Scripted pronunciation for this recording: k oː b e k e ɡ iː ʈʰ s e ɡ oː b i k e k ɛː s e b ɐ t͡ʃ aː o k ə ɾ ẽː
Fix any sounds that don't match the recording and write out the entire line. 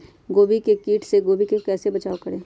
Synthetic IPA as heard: ɡ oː b i k e k iː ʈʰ s e ɡ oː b i k e k ɛː s e b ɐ t͡ʃ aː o k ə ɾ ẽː